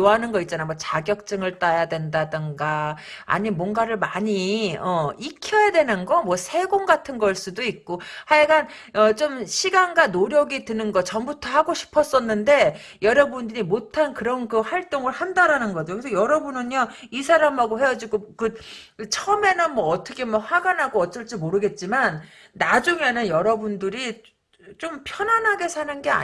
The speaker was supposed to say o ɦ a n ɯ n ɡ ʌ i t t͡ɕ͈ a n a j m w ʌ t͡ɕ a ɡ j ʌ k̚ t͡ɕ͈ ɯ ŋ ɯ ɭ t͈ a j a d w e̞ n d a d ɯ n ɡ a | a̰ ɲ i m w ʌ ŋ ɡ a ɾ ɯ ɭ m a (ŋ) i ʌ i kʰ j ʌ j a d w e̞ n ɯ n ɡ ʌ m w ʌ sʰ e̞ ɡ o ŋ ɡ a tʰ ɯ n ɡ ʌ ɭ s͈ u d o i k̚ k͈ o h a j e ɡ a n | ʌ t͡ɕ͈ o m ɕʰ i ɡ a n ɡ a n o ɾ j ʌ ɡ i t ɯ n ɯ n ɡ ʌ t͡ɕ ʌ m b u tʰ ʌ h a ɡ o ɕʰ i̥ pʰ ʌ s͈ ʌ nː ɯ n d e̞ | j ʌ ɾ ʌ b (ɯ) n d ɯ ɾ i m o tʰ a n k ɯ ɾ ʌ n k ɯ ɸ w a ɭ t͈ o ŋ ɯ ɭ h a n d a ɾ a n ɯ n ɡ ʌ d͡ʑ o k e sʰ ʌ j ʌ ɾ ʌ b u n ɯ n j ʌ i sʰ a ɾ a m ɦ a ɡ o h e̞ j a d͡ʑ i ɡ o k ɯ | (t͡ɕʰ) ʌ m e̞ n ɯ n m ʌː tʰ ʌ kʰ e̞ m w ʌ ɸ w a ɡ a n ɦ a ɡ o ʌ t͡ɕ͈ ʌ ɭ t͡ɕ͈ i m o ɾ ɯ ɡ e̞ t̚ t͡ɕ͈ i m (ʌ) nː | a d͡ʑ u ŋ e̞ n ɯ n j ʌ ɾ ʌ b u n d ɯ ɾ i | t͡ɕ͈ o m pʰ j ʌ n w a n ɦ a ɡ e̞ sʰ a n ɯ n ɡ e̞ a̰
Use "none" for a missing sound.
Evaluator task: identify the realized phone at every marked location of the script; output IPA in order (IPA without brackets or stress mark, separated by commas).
ɲ, u, t͡ɕʰ, a